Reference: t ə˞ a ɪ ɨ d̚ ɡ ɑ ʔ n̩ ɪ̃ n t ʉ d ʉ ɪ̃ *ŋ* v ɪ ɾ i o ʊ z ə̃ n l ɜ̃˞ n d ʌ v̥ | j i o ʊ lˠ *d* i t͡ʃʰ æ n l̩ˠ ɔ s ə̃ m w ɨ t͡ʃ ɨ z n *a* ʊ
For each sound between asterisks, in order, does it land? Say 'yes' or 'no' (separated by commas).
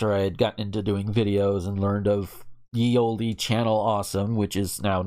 yes, yes, yes